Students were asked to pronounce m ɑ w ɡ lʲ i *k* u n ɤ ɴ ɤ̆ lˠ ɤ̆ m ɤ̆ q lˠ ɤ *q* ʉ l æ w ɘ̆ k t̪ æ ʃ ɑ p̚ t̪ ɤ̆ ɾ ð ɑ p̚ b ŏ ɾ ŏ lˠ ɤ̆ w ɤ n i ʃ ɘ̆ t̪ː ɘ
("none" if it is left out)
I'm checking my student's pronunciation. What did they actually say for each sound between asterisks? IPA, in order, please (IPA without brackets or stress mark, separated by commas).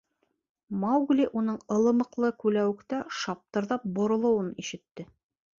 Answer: ʔ, k